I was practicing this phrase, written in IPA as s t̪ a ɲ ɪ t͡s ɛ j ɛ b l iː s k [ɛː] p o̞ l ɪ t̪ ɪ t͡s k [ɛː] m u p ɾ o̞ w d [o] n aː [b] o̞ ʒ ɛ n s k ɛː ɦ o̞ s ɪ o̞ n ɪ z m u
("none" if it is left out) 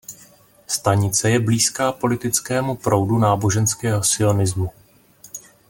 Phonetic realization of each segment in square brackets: aː, ɛː, u, b

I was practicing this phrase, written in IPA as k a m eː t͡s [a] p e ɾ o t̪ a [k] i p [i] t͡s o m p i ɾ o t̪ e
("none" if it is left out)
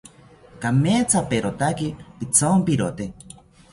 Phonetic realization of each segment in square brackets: a, k, i

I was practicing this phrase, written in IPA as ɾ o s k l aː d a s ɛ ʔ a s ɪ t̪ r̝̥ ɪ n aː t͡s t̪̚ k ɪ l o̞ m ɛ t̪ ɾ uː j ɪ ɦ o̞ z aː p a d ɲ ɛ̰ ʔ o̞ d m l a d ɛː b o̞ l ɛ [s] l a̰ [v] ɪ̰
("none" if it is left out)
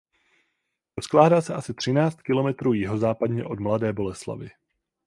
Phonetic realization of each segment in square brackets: s, v

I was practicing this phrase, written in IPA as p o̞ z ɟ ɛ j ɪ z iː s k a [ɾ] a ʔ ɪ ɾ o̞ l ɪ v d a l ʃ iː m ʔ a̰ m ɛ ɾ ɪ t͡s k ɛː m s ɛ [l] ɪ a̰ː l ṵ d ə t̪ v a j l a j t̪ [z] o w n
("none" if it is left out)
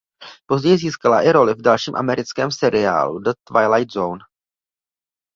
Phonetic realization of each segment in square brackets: l, ɾ, z

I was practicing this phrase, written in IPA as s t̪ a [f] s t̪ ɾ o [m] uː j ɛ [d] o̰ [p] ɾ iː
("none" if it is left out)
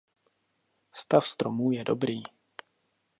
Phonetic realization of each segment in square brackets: f, m, d, b

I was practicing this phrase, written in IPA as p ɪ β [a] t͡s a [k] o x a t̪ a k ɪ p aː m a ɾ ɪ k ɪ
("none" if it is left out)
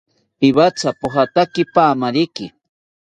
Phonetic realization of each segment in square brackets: a, p

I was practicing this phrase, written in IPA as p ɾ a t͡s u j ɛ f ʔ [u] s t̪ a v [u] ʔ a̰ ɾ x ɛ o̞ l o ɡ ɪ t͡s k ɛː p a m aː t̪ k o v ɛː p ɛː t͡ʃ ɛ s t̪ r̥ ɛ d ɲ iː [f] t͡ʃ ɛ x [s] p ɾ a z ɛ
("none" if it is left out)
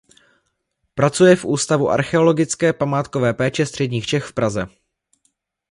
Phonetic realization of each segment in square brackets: uː, u, x, f

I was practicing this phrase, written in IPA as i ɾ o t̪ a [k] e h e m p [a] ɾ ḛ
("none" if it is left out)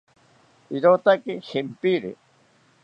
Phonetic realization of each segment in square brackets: k, i

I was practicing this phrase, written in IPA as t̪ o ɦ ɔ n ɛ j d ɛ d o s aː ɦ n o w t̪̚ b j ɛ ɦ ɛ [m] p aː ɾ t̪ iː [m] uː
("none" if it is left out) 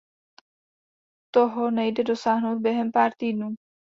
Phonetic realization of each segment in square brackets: m, n

